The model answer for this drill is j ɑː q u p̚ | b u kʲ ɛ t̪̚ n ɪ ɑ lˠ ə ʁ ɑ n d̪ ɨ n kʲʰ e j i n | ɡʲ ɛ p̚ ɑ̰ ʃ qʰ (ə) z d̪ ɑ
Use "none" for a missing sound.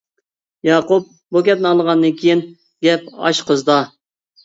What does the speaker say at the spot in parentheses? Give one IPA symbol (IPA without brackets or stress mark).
ə